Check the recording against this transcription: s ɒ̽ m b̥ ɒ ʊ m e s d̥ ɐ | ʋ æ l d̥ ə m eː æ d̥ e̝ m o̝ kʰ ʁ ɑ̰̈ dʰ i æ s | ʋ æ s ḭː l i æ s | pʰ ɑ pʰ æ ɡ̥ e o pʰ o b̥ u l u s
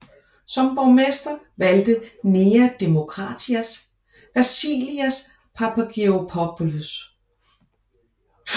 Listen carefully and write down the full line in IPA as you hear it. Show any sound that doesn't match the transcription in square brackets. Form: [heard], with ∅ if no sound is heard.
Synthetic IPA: s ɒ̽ m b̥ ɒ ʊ m e s d̥ ɐ | ʋ æ l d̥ ə [n] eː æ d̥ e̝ m o̝ kʰ ʁ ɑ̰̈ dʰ i æ s | ʋ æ s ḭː l i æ s | pʰ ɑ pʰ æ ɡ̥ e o pʰ [ɒ] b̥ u l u s